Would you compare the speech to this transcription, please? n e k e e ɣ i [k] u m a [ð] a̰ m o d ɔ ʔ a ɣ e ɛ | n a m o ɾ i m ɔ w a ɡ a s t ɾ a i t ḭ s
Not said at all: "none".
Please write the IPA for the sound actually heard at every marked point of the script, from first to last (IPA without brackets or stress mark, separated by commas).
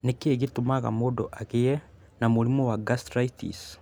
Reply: t, ɣ